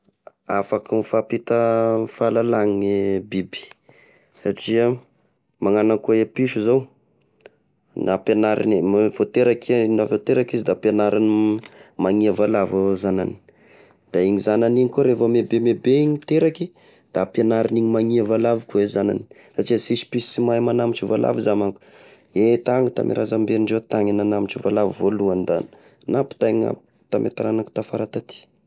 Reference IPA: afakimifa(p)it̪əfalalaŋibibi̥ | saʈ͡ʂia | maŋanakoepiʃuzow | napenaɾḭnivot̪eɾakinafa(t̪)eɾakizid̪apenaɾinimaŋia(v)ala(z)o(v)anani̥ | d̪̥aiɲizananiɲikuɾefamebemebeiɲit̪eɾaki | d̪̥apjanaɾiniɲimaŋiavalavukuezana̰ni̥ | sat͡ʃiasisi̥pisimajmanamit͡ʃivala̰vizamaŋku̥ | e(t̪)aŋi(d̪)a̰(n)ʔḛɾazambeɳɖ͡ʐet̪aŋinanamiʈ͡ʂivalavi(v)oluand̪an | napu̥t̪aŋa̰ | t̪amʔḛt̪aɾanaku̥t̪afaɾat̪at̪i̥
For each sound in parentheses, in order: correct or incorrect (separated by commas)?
correct, correct, correct, incorrect, incorrect, correct, incorrect, incorrect, correct